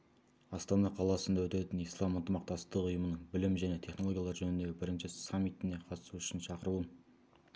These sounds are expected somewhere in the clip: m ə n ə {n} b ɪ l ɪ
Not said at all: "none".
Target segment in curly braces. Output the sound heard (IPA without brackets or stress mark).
ɴ